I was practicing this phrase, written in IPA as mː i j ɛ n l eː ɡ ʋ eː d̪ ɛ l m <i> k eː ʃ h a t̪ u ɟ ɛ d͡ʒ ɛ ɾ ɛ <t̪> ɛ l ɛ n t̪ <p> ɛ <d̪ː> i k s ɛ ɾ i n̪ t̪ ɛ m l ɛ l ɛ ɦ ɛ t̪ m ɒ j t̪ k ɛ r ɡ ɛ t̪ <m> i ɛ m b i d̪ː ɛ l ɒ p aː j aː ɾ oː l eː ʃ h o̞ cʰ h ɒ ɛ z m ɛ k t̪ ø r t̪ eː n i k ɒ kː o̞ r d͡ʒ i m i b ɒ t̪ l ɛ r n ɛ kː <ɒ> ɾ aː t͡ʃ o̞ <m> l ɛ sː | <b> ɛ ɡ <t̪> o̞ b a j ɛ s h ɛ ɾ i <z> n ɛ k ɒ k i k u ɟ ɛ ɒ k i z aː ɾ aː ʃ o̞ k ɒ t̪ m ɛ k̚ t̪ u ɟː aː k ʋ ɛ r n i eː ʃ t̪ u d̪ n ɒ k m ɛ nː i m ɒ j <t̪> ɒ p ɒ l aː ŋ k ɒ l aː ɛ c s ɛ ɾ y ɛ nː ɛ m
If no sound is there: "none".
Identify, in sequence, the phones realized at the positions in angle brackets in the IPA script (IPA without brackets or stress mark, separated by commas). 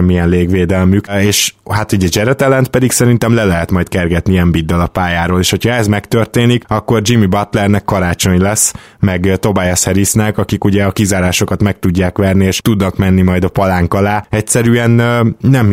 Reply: y, t̪, p, d̪, n, ɒ, ɲ, m, t̪, s, d̪